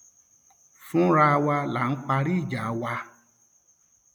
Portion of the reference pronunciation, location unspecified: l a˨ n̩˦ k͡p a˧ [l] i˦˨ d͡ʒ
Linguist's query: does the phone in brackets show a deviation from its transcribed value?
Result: yes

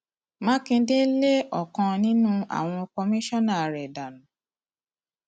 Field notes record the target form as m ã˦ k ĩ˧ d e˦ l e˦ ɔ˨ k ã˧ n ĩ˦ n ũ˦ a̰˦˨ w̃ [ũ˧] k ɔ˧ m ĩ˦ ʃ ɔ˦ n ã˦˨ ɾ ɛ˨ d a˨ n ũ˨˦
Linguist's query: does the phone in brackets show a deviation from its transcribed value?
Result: yes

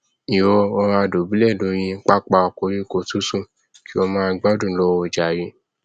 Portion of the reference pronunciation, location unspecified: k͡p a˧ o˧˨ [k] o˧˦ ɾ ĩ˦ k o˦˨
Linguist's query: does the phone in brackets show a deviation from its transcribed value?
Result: no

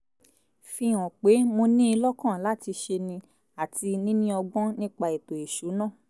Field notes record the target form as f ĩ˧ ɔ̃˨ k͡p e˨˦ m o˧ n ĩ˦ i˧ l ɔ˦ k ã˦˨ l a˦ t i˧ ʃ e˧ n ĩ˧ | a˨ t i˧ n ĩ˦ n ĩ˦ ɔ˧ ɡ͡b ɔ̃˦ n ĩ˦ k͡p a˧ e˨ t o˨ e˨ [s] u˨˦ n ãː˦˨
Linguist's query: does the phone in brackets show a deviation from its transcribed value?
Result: yes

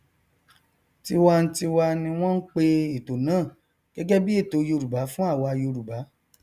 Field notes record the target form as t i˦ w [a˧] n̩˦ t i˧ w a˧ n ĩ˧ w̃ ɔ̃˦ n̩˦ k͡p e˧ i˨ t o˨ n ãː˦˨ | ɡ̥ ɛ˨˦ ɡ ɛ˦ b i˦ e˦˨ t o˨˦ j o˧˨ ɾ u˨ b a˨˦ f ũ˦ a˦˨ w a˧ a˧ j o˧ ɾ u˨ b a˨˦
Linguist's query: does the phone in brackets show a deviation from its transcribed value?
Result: no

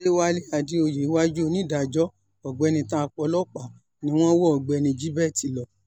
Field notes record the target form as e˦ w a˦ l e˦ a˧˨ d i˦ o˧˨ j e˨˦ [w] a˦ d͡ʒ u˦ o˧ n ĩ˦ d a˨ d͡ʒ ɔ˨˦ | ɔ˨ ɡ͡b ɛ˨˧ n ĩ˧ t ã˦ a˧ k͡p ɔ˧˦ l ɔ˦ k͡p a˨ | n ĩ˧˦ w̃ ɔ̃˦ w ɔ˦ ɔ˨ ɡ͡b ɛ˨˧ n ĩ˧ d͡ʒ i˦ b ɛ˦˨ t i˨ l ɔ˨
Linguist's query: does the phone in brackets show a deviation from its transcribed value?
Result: no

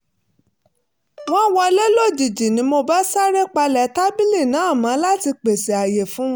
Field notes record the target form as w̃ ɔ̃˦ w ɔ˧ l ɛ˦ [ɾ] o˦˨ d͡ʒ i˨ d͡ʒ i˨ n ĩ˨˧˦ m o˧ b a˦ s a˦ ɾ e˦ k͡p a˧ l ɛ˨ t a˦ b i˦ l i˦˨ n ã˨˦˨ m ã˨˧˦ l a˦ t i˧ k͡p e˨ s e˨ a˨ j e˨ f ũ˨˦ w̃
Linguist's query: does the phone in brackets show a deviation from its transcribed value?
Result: yes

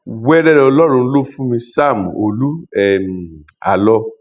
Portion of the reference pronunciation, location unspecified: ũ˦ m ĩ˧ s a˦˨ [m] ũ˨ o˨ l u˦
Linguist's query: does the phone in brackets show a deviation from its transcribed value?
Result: no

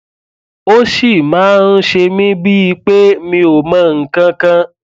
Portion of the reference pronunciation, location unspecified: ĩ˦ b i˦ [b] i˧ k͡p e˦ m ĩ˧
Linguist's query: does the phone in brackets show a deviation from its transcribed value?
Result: yes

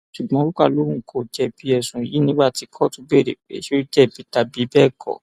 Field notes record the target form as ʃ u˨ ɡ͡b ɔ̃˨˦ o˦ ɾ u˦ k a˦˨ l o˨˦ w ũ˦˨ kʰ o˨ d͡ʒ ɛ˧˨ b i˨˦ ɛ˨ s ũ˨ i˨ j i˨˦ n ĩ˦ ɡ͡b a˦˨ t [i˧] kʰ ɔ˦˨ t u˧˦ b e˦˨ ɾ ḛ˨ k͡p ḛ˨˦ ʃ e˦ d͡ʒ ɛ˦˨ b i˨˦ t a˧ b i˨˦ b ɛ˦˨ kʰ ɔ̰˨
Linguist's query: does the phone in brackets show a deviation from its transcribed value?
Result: no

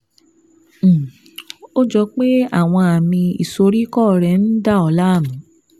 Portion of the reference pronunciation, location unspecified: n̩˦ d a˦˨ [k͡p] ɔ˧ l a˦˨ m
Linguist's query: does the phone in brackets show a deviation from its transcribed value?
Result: yes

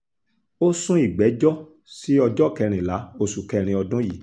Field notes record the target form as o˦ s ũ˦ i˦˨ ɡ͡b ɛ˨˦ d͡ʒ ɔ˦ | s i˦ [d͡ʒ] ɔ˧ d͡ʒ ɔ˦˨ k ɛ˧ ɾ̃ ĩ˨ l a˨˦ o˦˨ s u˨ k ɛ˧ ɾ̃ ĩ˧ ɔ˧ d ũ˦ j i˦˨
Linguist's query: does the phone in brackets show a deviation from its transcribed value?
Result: yes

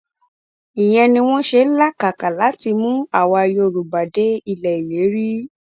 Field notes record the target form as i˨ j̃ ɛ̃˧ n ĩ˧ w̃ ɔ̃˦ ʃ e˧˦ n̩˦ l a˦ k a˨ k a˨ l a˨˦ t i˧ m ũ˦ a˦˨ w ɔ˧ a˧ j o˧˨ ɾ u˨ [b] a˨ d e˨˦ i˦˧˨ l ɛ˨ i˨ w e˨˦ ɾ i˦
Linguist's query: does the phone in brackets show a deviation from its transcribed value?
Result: no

